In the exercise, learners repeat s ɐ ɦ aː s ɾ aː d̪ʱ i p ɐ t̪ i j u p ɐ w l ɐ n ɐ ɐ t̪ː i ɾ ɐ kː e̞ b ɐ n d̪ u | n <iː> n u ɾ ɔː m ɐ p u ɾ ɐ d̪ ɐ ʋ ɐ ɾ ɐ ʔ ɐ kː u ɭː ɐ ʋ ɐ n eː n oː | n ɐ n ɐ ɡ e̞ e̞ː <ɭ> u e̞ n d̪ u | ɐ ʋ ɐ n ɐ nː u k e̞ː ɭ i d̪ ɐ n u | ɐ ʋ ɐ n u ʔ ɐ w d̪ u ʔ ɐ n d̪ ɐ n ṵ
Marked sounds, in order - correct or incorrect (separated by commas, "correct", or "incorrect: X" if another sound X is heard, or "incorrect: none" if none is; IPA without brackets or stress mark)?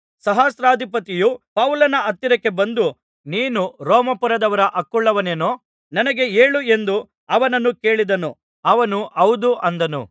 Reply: correct, correct